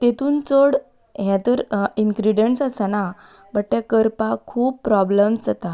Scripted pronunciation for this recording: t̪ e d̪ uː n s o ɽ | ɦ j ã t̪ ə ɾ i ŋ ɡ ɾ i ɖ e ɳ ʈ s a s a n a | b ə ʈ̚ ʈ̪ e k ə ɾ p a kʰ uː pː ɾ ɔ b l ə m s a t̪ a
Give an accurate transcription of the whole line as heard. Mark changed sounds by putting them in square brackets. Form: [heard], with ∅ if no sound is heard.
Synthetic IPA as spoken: t̪ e [t̪] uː n [t͡s] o ɽ | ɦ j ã t̪ ə ɾ i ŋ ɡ ɾ i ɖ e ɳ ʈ s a s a n a | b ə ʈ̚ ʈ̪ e k ə ɾ p a kʰ uː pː ɾ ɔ b l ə m s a t̪ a